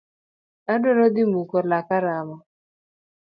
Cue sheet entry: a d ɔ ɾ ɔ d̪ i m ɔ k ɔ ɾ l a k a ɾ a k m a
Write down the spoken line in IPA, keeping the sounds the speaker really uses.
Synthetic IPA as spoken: a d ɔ ɾ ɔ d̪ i m u k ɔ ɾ l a k a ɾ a m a